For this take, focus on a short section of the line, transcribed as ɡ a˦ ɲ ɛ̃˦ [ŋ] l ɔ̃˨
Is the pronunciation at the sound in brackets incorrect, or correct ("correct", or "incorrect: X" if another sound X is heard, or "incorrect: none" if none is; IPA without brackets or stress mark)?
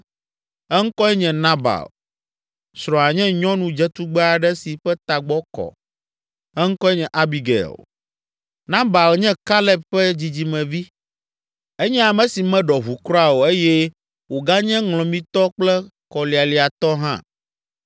correct